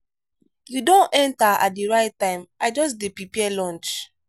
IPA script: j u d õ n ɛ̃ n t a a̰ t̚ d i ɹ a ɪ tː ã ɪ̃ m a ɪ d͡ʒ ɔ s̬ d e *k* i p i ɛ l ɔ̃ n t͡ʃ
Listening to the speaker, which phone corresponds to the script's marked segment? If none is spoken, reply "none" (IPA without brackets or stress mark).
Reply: p